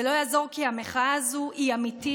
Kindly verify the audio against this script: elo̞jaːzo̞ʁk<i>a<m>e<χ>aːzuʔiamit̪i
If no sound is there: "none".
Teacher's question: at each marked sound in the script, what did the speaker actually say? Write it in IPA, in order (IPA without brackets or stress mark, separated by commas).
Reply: i, m, χ